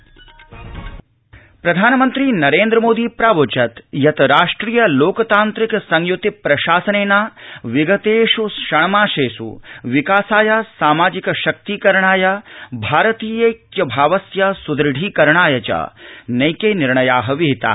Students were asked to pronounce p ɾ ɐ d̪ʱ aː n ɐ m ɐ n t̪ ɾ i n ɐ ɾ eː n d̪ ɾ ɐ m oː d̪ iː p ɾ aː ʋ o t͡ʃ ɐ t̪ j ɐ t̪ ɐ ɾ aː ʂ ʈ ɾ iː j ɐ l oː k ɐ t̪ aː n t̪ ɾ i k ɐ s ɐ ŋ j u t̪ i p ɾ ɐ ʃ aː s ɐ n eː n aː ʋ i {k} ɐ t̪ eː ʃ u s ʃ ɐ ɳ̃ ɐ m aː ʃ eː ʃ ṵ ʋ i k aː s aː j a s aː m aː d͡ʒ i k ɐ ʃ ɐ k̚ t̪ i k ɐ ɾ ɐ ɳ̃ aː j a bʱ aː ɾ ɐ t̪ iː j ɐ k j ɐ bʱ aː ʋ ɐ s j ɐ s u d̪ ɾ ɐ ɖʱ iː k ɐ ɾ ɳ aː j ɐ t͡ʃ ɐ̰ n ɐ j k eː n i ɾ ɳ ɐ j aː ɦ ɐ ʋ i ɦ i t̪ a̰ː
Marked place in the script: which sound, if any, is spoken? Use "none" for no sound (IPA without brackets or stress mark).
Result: ɡ